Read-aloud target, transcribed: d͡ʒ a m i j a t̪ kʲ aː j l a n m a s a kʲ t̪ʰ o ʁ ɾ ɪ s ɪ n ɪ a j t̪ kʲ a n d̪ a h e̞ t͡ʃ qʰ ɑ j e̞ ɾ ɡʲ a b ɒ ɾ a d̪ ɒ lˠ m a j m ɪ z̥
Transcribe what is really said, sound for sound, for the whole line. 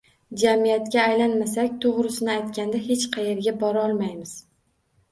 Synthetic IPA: d͡ʒ a m i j a t̪ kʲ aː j l a n m a s a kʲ t̪ʰ o ʁ ɾ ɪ s ɪ n ɪ a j t̪ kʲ a n d̪ a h e̞ t͡ʃ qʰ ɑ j e̞ ɾ ɡʲ a b ɒ ɾ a ɒ lˠ m a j m ɪ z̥